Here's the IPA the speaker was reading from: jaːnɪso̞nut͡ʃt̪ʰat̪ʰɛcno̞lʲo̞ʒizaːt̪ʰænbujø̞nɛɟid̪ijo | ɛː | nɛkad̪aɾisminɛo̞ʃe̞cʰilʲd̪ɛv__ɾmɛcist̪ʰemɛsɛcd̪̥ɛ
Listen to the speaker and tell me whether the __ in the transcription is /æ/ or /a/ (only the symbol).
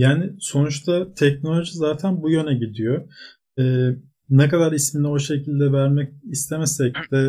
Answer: æ